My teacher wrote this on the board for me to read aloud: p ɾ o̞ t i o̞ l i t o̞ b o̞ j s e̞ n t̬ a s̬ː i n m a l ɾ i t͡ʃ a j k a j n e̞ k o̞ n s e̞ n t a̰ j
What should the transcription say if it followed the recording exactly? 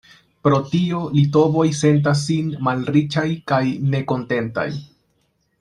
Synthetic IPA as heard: p ɾ o̞ t i o̞ l i t o̞ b o̞ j s e̞ n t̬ a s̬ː i n m a l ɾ i t͡ʃ a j k a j n e̞ k o̞ n t e̞ n t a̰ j